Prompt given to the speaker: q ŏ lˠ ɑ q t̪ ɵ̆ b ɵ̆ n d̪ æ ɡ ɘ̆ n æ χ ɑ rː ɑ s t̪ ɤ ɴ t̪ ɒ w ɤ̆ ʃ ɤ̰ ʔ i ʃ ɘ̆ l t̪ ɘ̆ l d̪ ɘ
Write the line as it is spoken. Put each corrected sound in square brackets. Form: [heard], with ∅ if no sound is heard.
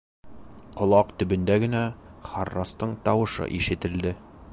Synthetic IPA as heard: q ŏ lˠ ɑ q t̪ ɵ̆ b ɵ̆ n d̪ æ ɡ ɘ̆ n æ χ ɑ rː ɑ s t̪ ɤ ɴ t̪ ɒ w ɤ̆ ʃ ɤ̰ ʔ i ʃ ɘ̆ [∅] t̪ ɘ̆ l d̪ ɘ